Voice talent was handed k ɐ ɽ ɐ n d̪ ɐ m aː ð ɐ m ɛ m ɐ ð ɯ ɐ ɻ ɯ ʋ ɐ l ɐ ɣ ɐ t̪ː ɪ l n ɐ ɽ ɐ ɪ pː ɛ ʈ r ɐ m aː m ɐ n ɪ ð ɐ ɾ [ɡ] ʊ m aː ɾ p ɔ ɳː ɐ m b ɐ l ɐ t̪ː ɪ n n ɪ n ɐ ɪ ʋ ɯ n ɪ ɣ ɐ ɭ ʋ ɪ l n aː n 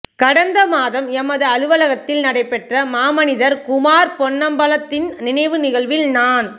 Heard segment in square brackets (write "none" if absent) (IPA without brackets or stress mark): k